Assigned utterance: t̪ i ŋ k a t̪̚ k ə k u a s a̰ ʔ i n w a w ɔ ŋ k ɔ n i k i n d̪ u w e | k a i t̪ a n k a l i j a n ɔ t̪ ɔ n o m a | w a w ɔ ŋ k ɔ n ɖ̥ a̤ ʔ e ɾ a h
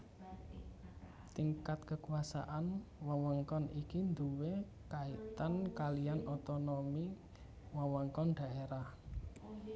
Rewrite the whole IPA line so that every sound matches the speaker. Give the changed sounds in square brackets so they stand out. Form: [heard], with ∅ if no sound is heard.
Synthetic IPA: t̪ i ŋ k a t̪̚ k ə k u a s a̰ ʔ [a] n w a w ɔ ŋ k ɔ n i k i n d̪ u w e | k a i t̪ a n k a l i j a n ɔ t̪ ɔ n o m [i] | w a w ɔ ŋ k ɔ n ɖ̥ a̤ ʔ e ɾ a h